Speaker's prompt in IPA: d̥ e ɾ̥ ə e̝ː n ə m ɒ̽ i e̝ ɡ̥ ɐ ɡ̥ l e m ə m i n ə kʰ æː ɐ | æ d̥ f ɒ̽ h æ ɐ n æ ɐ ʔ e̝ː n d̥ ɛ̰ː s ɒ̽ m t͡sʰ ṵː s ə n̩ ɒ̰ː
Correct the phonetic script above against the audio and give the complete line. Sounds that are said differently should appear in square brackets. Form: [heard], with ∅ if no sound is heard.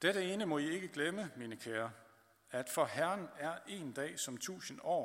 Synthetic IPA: d̥ e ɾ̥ ə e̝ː n ə m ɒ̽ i e̝ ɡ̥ [ə] ɡ̥ l e m ə m i n ə kʰ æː ɐ | æ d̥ f ɒ̽ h æ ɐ n æ ɐ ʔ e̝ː n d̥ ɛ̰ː s ɒ̽ m t͡sʰ ṵː s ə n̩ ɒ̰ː